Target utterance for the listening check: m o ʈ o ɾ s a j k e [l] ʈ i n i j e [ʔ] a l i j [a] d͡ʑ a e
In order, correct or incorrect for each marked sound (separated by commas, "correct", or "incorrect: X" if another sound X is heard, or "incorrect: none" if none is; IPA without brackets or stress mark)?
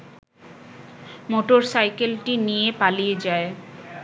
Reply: correct, incorrect: p, incorrect: e